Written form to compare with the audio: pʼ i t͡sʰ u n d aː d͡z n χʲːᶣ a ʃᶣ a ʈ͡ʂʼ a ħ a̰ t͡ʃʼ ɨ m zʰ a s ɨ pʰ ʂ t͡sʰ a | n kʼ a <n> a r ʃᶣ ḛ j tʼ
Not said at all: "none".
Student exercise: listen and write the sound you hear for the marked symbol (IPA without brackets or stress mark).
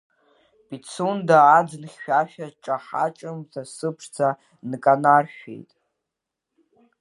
n